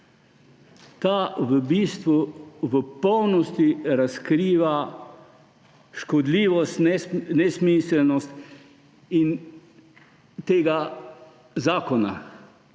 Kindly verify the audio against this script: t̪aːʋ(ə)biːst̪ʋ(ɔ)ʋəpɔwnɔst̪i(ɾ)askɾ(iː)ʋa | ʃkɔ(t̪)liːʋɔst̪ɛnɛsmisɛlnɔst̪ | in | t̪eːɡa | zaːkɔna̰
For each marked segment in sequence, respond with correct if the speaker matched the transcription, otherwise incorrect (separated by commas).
correct, incorrect, correct, correct, incorrect